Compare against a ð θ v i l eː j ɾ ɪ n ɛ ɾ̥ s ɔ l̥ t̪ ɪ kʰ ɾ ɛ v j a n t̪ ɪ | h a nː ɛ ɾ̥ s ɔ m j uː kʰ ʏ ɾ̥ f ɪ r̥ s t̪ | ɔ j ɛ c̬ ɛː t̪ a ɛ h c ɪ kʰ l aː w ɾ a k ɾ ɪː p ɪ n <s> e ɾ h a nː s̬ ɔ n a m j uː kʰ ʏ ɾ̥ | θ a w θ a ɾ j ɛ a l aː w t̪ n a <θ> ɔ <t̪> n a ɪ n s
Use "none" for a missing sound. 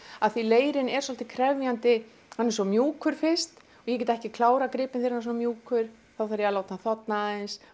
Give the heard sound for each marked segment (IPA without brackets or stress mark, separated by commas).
θ, θ, t̪